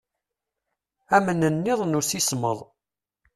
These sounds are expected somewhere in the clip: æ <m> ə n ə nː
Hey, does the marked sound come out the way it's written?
yes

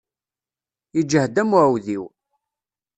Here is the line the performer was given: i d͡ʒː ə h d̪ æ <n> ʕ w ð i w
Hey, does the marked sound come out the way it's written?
no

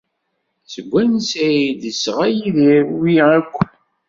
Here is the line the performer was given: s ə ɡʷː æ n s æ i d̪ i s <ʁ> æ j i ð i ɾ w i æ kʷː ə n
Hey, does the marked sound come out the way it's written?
yes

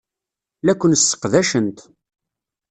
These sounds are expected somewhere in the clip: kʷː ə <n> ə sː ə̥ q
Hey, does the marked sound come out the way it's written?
yes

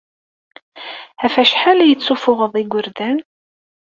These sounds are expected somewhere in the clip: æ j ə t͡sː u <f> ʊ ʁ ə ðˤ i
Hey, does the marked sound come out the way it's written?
yes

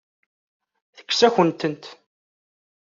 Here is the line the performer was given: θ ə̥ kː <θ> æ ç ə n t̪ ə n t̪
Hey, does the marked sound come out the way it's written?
no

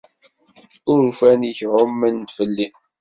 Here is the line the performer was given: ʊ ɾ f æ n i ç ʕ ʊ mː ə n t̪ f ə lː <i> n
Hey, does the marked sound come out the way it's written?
yes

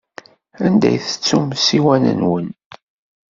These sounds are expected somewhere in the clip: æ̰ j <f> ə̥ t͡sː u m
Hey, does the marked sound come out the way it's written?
no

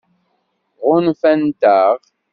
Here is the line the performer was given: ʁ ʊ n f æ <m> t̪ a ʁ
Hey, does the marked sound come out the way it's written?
no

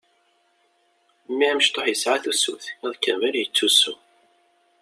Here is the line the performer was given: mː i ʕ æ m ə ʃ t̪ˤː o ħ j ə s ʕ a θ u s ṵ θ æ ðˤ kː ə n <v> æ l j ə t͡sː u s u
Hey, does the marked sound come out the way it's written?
yes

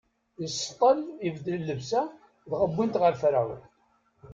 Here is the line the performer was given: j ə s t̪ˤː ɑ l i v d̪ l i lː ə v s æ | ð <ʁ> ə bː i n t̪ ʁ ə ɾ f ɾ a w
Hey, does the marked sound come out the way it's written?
yes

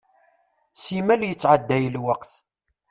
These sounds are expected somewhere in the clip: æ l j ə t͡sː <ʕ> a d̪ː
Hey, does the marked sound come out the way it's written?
yes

